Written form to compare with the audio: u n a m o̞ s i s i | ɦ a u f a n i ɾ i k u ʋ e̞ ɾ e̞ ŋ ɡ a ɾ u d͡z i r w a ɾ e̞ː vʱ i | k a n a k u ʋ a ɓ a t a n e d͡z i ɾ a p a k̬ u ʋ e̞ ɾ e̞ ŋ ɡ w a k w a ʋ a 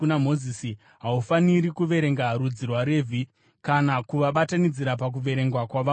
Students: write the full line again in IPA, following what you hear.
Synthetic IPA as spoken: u n a m o̞ z i s i | ɦ a u f a n i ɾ i k u ʋ e̞ ɾ e̞ ŋ ɡ a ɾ u d͡z i r w a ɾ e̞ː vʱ i | k a n a k u ʋ a ɓ a t a n i d͡z i ɾ a p a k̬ u ʋ e̞ ɾ e̞ ŋ ɡ w a k w a ʋ a

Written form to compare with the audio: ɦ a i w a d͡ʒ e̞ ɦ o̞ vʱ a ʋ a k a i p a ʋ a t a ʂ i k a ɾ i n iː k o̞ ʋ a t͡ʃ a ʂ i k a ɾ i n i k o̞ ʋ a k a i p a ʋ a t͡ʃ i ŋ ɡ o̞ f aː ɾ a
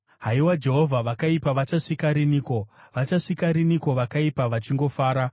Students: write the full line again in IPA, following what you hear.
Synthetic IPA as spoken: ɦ a i w a d͡ʒ e̞ ɦ o̞ vʱ a ʋ a k a i p a ʋ a t͡ʃ a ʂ i k a ɾ i n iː k o̞ ʋ a t͡ʃ a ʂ i k a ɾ i n i k o̞ ʋ a k a i p a ʋ a t͡ʃ i ŋ ɡ o̞ f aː ɾ a

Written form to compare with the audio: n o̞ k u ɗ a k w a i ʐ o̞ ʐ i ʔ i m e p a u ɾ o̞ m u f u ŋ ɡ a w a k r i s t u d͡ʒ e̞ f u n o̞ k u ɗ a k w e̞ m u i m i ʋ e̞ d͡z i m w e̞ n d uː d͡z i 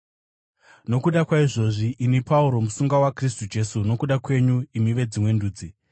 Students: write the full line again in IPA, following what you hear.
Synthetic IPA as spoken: n o̞ k u ɗ a k w a i ʐ o̞ ʐ i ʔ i n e p a u ɾ o̞ m u s u ŋ ɡ a w a k r i s t u d͡ʒ e̞ s u n o̞ k u ɗ a k w e̞ ɲ u i m i ʋ e̞ d͡z i m w e̞ n d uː d͡z i

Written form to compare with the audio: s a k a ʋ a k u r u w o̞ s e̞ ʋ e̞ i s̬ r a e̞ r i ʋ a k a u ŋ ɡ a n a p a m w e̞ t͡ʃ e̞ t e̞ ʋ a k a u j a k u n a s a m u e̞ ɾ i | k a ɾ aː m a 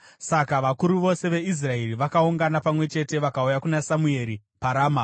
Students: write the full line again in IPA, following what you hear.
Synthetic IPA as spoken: s a k a ʋ a k u ɾ u ʋ o̞ s e̞ ʋ e̞ i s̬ r a e̞ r i ʋ a k a u ŋ ɡ a n a p a m w e̞ t͡ʃ e̞ t e̞ ʋ a k a u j a k u n a s a m u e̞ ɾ i | p a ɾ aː m a

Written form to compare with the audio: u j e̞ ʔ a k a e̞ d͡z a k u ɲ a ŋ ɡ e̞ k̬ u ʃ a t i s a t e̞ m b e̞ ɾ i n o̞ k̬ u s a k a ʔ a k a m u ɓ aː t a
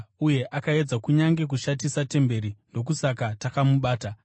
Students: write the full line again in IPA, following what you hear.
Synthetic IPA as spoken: u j e̞ ʔ a k a e̞ d͡z a k u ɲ a ŋ ɡ e̞ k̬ u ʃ a t i s a t e̞ m b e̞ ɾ i n o̞ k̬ u s a k a t a k a m u ɓ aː t a

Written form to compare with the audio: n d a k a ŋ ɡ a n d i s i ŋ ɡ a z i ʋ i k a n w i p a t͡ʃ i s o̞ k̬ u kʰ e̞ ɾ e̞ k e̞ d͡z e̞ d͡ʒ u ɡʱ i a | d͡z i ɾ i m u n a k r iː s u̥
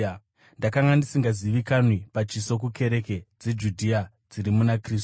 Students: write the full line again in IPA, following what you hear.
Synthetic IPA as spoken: n d a k a ŋ ɡ a n d i s i ŋ ɡ a z i ʋ i k a n w i p a t͡ʃ i s o̞ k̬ u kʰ e̞ ɾ e̞ k e̞ d͡z e̞ d͡ʒ u dʱ i a | d͡z i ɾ i m u n a k r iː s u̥

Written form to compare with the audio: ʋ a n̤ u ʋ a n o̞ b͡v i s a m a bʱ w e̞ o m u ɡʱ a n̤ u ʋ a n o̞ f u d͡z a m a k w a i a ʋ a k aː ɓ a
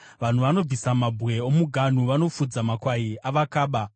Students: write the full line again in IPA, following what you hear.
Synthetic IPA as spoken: ʋ a n̤ u ʋ a n o̞ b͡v i s a m a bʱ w e̞ o m u ɡʱ a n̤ u ʋ a n o̞ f u d͡z a m a k w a i a ʋ a k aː ɓ a

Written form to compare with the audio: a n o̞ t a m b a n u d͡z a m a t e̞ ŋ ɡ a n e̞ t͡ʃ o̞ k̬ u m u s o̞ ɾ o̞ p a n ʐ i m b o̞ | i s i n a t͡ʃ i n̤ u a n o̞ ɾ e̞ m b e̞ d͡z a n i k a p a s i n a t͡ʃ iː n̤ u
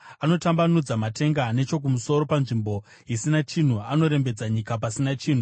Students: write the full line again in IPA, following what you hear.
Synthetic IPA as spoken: a n o̞ t a m b a n u d͡z a m a t e̞ ŋ ɡ a n e̞ t͡ʃ o̞ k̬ u m u s o̞ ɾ o̞ p a n ʐ i m b o̞ | i s i n a t͡ʃ i n̤ u a n o̞ ɾ e̞ m b e̞ d͡z a ɲ i k a p a s i n a t͡ʃ iː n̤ u

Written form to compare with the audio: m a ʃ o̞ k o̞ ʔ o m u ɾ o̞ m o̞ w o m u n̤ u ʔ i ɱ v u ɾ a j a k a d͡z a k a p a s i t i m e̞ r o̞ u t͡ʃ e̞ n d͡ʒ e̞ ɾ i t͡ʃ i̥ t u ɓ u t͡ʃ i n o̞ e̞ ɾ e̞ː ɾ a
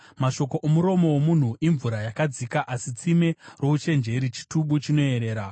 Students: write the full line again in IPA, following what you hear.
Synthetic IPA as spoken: m a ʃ o̞ k o̞ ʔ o m u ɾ o̞ m o̞ w o m u n̤ u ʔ i ɱ v u ɾ a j a k a d͡z i k a ʔ a s i t͡s i m e̞ r o̞ u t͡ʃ e̞ n d͡ʒ e̞ ɾ i t͡ʃ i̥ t u ɓ u t͡ʃ i n o̞ e̞ ɾ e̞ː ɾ a

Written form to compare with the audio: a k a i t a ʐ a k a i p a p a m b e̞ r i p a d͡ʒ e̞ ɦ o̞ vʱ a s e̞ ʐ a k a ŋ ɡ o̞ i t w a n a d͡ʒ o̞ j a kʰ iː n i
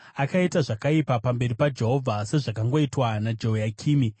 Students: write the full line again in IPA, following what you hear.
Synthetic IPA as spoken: a k a i t a ʐ a k a i p a p a m b e̞ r i p a d͡ʒ e̞ ɦ o̞ vʱ a s e̞ ʐ a k a ŋ ɡ o̞ i t w a n a d͡ʒ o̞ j a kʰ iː m i

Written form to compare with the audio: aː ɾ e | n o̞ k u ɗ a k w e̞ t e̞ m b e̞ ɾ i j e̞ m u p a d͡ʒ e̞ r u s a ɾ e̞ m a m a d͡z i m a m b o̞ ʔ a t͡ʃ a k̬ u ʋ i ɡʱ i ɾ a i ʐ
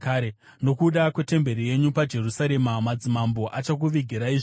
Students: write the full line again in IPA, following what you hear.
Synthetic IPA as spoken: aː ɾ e | n o̞ k u ɗ a k w e̞ t e̞ m b e̞ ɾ i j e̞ ɲ u p a d͡ʒ e̞ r u s a ɾ e̞ m a m a d͡z i m a m b o̞ ʔ a t͡ʃ a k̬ u ʋ i ɡʱ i ɾ a i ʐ

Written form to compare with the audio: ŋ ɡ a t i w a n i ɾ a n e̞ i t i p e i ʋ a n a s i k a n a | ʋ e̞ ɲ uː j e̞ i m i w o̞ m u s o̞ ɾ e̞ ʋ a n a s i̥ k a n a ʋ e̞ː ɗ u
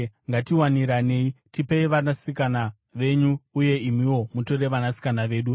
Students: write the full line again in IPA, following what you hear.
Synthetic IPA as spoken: ŋ ɡ a t i w a n i ɾ a n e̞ i t i p e i ʋ a n a s i k a n a | ʋ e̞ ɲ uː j e̞ i m i w o̞ m u t o̞ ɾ e̞ ʋ a n a s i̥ k a n a ʋ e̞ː ɗ u

